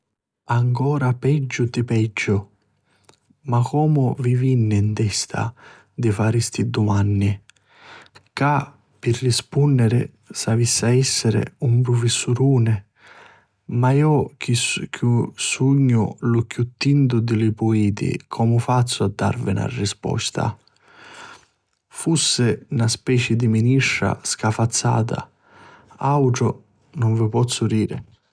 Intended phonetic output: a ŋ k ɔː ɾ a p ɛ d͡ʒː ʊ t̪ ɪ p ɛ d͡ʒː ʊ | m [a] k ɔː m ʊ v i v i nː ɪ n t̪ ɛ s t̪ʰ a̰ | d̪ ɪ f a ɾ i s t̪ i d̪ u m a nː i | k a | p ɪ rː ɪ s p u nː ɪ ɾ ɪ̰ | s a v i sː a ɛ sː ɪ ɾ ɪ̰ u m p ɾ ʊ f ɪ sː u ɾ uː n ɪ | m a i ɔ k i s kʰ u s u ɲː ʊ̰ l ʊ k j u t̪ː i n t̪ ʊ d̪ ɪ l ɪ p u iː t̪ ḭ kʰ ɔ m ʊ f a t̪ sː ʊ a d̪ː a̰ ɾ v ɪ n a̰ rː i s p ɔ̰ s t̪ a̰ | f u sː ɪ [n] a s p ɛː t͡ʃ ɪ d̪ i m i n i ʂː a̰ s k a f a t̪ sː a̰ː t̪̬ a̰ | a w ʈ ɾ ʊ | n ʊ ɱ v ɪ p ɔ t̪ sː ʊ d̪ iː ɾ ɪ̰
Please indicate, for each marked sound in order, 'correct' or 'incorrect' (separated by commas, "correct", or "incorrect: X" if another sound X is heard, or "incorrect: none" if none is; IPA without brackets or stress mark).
correct, correct